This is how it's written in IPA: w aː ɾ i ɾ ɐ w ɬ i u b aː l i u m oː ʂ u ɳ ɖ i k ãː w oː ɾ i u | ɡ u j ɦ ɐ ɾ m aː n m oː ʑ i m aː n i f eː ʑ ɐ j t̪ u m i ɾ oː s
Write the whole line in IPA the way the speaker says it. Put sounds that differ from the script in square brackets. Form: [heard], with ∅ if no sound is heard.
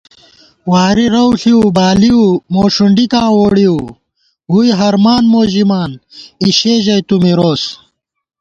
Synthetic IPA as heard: w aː ɾ i ɾ ɐ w ɬ i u b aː l i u m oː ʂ u ɳ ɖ i k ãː w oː [ɽ] i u | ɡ u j ɦ ɐ ɾ m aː n m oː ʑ i m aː n i [ɕ] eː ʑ ɐ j t̪ u m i ɾ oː s